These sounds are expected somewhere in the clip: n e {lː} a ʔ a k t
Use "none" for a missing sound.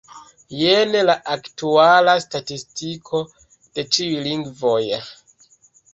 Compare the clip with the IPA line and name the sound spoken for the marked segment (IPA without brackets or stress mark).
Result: l